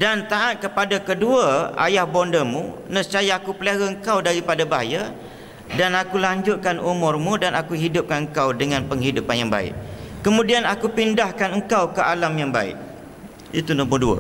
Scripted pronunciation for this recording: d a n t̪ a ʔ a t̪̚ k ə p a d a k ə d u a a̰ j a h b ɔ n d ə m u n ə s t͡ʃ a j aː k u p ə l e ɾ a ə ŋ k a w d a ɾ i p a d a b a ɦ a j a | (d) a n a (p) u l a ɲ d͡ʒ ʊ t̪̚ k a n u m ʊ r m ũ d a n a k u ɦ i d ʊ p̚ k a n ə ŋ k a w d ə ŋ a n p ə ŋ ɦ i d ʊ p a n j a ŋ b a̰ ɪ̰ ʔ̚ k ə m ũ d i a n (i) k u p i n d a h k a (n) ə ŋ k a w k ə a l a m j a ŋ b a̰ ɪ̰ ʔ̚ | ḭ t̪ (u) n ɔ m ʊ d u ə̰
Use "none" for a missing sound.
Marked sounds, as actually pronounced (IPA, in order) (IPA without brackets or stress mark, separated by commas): d, k, a, n, u